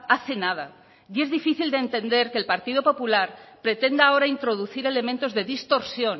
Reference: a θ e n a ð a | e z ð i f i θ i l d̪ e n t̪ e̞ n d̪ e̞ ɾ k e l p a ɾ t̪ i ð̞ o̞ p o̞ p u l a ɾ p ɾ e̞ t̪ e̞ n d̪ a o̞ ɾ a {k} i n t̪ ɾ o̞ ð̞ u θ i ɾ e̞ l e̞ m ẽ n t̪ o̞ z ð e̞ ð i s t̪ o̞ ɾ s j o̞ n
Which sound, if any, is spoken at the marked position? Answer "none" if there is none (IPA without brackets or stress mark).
none